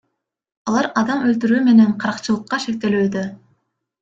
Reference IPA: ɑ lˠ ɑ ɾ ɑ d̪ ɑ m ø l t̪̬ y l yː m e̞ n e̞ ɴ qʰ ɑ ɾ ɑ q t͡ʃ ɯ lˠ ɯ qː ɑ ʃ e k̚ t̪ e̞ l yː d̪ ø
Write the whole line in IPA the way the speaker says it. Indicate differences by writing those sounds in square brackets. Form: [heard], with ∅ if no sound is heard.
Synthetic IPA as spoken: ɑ lˠ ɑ ɾ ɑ d̪ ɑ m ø l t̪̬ y [ɾ] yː m e̞ n e̞ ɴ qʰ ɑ ɾ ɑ q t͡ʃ ɯ lˠ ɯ qː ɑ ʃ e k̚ t̪ e̞ l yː d̪ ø

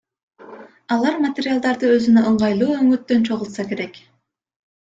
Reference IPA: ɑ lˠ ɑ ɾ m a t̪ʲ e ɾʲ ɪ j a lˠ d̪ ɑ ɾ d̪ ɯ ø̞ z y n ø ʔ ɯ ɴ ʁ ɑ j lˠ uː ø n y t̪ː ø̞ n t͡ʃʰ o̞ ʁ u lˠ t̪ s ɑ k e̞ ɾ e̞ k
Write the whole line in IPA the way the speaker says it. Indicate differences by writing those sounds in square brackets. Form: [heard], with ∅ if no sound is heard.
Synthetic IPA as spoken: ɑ lˠ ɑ ɾ m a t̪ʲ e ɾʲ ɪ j a lˠ d̪ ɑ ɾ d̪ ɯ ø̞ z y n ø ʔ ɯ ɴ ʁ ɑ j lˠ uː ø [ŋ] y t̪ː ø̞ n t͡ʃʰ o̞ ʁ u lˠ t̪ s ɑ k e̞ ɾ e̞ k

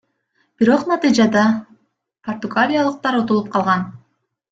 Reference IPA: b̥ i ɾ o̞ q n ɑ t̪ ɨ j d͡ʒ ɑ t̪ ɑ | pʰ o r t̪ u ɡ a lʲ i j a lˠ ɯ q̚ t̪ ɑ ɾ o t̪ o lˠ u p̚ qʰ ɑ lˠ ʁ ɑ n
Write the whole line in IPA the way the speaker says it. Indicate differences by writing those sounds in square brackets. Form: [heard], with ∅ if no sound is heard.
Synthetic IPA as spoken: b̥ i ɾ o̞ q n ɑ t̪ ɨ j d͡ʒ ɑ [d̪] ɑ | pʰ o r t̪ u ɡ a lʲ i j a lˠ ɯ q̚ t̪ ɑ ɾ o t̪ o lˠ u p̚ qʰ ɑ lˠ ʁ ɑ n

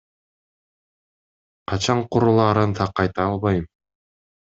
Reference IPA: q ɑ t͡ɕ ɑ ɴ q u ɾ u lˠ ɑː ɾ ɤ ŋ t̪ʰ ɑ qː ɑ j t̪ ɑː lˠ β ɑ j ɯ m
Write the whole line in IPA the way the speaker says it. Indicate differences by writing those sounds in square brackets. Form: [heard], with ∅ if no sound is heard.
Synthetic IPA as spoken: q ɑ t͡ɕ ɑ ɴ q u ɾ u lˠ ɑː ɾ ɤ [n] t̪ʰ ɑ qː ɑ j t̪ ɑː lˠ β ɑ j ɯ m

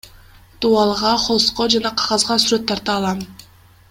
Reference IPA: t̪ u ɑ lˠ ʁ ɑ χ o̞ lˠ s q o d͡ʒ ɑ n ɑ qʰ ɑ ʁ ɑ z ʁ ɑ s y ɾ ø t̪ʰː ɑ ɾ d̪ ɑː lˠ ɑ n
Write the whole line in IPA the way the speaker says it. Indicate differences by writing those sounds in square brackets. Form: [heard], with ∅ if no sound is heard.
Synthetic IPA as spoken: t̪ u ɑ lˠ ʁ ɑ χ o̞ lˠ s q o d͡ʒ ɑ n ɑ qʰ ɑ ʁ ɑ z ʁ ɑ s y ɾ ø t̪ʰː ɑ ɾ [t̪] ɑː lˠ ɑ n

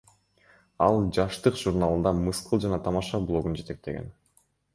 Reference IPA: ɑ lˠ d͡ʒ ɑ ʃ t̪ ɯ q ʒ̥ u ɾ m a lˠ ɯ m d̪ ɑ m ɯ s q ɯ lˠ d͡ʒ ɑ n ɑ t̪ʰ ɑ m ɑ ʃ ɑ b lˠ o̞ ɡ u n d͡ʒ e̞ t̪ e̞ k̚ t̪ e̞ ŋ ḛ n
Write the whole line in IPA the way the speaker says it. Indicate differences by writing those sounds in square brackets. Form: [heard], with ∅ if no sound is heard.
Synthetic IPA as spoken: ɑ lˠ d͡ʒ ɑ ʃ t̪ ɯ q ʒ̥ u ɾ [n] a lˠ ɯ [n] d̪ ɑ m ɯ s q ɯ lˠ d͡ʒ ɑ n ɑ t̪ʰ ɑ m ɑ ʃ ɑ b lˠ o̞ ɡ u n d͡ʒ e̞ t̪ e̞ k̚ t̪ e̞ [ɡ] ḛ n

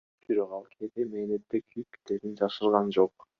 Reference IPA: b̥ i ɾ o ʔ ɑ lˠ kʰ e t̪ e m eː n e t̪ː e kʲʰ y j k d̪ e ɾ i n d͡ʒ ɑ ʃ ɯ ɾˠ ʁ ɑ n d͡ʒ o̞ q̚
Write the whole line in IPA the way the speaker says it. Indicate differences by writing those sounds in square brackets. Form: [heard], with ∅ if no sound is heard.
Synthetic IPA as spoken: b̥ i ɾ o [q] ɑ lˠ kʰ e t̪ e m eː n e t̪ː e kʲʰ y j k [t̪] e ɾ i n d͡ʒ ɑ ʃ ɯ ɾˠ ʁ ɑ n d͡ʒ o̞ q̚

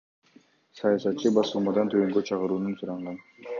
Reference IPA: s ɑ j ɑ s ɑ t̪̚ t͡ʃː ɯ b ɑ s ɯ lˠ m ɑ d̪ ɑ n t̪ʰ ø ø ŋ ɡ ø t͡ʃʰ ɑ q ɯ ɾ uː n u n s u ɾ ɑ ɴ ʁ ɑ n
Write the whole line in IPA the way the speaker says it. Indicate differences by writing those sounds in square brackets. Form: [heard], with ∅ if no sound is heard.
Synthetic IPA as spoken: s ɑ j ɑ s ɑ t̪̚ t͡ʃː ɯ b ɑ s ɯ lˠ m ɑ d̪ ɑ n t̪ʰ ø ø ŋ ɡ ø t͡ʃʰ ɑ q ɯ ɾ uː n u n s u ɾ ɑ ɴ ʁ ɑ n

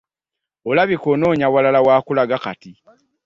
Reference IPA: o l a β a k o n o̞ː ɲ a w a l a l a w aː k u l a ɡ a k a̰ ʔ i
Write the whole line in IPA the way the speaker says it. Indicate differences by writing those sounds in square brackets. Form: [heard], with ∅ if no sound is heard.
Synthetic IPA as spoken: o l a β [i] k o n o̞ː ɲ a w a l a l a w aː k u l a ɡ a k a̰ [t] i

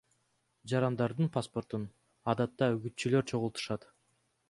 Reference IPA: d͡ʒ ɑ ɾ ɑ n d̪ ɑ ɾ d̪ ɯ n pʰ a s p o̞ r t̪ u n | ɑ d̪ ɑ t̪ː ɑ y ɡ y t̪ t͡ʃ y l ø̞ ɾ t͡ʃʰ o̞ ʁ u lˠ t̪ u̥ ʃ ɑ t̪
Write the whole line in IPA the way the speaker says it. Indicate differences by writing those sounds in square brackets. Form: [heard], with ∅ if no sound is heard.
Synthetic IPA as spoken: d͡ʒ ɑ ɾ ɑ n d̪ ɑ ɾ d̪ ɯ n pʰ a s p o̞ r t̪ u n | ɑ d̪ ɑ t̪ː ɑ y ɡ y t̪ t͡ʃ y l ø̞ ɾ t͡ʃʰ o̞ ʁ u lˠ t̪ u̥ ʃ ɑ t̪

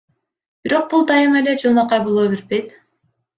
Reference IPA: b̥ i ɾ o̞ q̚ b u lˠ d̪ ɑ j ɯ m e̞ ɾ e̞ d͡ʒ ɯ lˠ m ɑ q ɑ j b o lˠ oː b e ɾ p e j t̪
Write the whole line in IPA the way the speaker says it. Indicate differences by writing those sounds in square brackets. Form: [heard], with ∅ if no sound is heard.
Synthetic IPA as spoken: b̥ i ɾ o̞ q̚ b u lˠ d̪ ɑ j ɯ m e̞ [l] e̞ d͡ʒ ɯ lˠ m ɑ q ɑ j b o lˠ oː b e ɾ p e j t̪

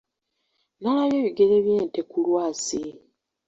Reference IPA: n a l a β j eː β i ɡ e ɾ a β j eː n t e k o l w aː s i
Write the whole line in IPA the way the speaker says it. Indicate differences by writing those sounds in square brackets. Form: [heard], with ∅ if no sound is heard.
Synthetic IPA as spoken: n a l a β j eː β i ɡ e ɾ [e] β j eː n t e k [u] l w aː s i

